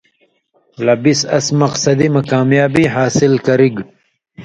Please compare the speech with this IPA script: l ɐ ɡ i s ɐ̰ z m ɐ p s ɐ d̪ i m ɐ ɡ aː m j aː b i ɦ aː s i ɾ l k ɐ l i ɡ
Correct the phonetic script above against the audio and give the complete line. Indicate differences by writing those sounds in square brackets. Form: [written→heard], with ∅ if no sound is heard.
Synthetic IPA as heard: l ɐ [ɡ→b] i s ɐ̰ [z→s] m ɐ [p→q] s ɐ d̪ i m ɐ [ɡ→k] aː m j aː b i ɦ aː s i [ɾ→∅] l k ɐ [l→ɾ] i ɡ